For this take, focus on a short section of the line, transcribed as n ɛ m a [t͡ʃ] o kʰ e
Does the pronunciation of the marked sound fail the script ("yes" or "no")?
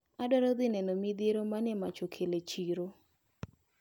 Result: no